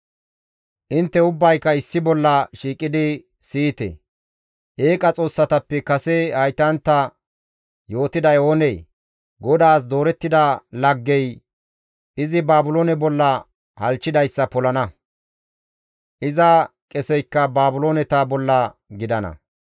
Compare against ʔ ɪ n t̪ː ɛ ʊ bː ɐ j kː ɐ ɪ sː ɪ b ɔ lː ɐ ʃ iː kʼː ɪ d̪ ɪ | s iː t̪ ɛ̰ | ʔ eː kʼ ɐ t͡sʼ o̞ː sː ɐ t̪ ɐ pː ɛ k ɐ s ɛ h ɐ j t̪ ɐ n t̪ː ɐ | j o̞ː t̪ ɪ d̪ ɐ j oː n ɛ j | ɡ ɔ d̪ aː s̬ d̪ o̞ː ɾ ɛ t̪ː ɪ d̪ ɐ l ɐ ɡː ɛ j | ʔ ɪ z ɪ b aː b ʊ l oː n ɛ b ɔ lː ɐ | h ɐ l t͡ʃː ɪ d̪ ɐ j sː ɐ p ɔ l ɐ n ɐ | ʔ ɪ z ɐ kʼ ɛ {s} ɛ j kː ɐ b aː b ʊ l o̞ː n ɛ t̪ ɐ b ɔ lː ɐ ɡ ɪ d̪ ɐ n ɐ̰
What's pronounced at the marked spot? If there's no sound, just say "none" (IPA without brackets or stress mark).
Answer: s